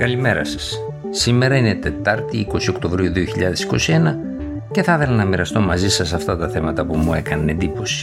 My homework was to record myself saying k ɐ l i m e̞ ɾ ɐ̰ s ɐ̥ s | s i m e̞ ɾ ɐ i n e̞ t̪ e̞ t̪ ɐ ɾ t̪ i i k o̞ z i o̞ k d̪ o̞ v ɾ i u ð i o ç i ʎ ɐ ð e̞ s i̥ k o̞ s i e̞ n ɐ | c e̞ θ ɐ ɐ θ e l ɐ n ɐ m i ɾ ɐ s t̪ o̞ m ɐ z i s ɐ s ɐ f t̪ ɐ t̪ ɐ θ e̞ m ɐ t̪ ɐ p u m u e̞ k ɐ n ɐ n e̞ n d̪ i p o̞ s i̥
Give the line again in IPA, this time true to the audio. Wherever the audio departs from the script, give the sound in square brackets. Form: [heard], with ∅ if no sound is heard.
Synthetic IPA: k ɐ l i m e̞ ɾ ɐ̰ s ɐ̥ s | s i m e̞ ɾ ɐ i n e̞ t̪ e̞ t̪ ɐ ɾ t̪ i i k o̞ [s] i o̞ k [t̪] o̞ v ɾ i u ð i o ç i ʎ ɐ ð e̞ s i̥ k o̞ s i e̞ n ɐ | c e̞ θ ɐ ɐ θ e l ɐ n ɐ m i ɾ ɐ s t̪ o̞ m ɐ z i s ɐ s ɐ f t̪ ɐ t̪ ɐ θ e̞ m ɐ t̪ ɐ p u m u e̞ k ɐ n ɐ n e̞ n d̪ i p o̞ s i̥